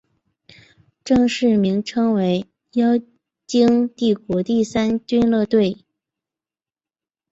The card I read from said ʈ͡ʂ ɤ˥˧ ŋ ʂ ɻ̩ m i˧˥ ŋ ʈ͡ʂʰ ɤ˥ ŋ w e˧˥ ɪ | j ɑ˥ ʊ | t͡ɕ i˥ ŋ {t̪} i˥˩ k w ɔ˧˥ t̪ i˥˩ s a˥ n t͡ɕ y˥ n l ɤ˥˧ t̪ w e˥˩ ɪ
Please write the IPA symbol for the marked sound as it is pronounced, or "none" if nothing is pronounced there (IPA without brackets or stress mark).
t̪